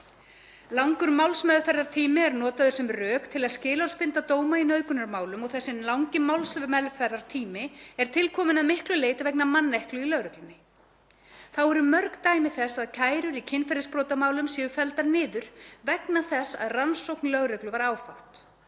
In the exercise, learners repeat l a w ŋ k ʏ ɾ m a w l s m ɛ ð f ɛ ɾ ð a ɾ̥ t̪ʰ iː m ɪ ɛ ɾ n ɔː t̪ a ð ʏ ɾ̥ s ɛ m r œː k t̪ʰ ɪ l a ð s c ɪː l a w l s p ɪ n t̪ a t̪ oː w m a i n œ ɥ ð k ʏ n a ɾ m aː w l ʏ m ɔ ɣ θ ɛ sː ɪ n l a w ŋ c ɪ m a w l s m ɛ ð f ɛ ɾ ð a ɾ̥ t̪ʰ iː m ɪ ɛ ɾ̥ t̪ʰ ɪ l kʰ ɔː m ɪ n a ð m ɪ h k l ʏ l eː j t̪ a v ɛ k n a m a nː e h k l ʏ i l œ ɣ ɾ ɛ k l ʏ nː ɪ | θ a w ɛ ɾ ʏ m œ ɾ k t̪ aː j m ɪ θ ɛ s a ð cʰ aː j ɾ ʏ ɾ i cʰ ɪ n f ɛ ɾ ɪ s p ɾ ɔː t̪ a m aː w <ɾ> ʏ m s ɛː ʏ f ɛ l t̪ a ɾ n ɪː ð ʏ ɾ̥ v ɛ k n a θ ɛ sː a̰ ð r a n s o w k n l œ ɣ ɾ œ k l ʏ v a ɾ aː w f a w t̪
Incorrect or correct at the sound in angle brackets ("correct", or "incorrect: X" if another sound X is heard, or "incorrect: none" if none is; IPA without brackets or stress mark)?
incorrect: l